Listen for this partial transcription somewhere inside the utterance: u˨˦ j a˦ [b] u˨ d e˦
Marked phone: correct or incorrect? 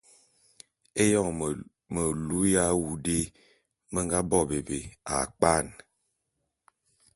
incorrect